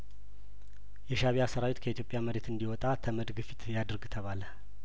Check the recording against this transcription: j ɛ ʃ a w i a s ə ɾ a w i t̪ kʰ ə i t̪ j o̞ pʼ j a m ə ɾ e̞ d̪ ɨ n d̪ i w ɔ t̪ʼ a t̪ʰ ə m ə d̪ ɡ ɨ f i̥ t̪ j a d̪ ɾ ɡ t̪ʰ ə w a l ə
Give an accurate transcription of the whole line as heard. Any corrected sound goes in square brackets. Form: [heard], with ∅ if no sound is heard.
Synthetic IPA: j ɛ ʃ a [β] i a s ə ɾ a w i t̪ kʰ ə i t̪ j o̞ pʼ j a m ə ɾ e̞ [t̪] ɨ n d̪ i w ɔ t̪ʼ a t̪ʰ ə m ə d̪ ɡ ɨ f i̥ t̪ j a d̪ ɾ ɡ t̪ʰ ə [β] a l ə